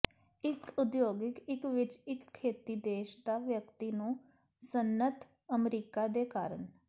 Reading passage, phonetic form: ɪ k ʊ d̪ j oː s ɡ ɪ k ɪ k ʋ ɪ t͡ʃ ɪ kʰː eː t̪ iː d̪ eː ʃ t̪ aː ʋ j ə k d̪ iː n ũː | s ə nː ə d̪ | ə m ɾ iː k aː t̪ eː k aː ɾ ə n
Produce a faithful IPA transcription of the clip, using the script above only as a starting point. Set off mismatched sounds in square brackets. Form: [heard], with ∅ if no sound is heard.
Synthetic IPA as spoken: ɪ k ʊ d̪ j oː [∅] ɡ ɪ k ɪ k ʋ ɪ t͡ʃ ɪ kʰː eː t̪ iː d̪ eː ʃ [d̪] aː ʋ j ə k [t̪] iː n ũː | s ə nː ə [t̪] | ə m ɾ iː k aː [d̪] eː k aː ɾ ə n